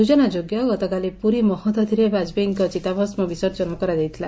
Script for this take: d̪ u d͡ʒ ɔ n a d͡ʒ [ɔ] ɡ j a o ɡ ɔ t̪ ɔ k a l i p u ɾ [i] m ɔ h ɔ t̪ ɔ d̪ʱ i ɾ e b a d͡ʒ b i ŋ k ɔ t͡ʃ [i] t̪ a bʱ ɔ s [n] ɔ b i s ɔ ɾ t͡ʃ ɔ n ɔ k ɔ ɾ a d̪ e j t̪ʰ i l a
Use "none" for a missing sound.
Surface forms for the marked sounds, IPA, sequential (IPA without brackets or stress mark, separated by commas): o, i, i, m